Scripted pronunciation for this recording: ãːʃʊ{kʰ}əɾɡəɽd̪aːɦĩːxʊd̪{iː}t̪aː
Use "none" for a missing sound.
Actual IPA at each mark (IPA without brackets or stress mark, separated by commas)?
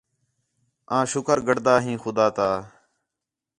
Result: k, aː